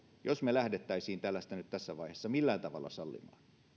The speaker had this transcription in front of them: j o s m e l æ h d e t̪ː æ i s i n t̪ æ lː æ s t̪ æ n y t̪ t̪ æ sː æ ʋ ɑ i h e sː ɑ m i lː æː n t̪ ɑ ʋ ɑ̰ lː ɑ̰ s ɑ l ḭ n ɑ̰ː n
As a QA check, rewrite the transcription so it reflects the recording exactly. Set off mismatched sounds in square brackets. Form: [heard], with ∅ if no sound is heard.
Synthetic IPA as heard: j o s m e l æ h d e t̪ː æ i s [iː] n t̪ æ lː æ s t̪ æ n y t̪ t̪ æ sː æ ʋ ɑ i h e sː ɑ m i lː æː n t̪ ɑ ʋ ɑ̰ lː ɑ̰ s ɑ [lː] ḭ [m] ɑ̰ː n